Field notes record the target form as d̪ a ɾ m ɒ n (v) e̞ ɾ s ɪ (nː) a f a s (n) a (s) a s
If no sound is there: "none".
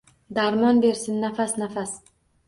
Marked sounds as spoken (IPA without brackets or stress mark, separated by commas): b, nː, n, f